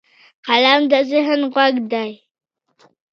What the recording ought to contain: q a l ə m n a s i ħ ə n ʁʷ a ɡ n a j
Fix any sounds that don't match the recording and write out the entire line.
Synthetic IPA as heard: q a l a m d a z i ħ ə n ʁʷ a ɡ d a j